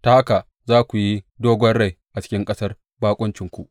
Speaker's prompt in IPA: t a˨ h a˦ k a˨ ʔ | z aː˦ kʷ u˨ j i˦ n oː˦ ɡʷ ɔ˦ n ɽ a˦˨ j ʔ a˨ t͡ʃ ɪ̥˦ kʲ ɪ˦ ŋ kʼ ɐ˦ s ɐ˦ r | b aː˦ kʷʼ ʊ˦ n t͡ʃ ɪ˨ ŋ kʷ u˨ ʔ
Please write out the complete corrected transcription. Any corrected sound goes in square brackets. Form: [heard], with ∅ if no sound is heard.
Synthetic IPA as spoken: t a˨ h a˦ k a˨ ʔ | z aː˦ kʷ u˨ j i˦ [d] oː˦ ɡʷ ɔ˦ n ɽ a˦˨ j ʔ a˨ t͡ʃ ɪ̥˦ kʲ ɪ˦ ŋ kʼ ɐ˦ s ɐ˦ r | b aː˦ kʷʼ ʊ˦ n t͡ʃ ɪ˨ ŋ kʷ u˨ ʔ